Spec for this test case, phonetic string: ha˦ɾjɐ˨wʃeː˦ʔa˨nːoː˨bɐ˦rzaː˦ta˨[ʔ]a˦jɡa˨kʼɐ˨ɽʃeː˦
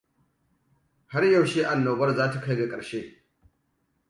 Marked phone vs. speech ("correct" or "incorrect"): incorrect